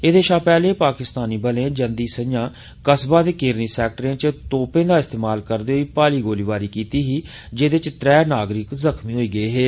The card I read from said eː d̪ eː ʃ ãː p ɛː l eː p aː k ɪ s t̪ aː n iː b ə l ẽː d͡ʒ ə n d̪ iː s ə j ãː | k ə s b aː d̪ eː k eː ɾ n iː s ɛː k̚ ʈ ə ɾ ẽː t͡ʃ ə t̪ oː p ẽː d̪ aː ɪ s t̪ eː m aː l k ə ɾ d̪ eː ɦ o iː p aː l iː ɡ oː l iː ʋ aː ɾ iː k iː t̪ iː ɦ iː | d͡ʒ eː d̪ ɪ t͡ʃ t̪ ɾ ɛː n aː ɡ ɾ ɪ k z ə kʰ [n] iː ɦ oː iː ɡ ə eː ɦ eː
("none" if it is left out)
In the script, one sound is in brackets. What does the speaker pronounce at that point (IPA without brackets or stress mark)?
m